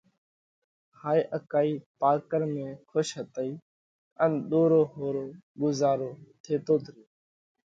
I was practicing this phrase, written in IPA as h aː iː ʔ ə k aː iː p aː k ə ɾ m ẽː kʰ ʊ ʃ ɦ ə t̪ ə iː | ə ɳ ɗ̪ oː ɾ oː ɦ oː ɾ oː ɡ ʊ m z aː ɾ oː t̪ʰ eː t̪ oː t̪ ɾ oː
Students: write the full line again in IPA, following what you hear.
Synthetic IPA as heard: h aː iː ʔ ə k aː iː p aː k ə ɾ m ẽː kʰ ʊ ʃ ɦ ə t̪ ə iː | ə n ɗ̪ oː ɾ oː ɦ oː ɾ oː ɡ ʊ z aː ɾ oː t̪ʰ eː t̪ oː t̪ ɾ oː